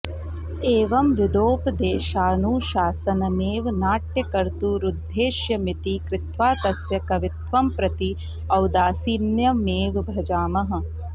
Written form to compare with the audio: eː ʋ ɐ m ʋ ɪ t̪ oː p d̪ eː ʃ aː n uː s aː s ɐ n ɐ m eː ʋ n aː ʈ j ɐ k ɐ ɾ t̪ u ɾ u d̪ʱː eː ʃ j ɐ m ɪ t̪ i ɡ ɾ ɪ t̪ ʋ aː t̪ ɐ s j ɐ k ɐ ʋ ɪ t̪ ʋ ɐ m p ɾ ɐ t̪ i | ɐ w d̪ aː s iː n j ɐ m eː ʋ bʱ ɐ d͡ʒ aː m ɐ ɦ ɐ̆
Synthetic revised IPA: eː ʋ ɐ m ʋ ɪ d̪ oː p d̪ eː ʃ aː n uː ʃ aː s ɐ n ɐ m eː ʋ n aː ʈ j ɐ k ɐ ɾ t̪ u ɾ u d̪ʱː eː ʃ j ɐ m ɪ t̪ i k ɾ ɪ t̪ ʋ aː t̪ ɐ s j ɐ k ɐ ʋ ɪ t̪ ʋ ɐ m p ɾ ɐ t̪ i | ɐ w d̪ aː s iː n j ɐ m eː ʋ bʱ ɐ d͡ʒ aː m ɐ ɦ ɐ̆